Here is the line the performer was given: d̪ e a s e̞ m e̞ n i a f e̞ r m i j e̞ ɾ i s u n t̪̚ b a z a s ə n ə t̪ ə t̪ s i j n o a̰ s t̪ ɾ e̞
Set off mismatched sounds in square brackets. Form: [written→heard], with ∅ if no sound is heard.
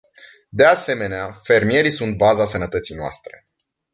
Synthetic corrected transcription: d̪ e a s e̞ m e̞ n [i→e] a f e̞ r m i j e̞ ɾ i s u n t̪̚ b a z a s ə n ə t̪ ə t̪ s i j n o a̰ s t̪ ɾ e̞